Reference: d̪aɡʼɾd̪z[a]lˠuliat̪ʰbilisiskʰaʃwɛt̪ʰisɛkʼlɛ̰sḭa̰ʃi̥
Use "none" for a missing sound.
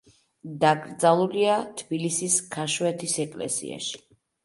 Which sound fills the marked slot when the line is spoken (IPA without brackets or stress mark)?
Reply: a